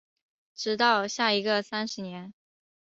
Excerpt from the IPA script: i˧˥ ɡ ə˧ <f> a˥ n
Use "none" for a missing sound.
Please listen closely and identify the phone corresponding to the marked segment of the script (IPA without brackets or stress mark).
s